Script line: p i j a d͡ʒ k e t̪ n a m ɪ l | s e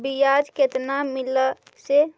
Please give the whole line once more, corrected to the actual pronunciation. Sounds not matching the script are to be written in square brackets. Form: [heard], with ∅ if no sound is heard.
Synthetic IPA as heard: [b] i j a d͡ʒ k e t̪ n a m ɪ l | s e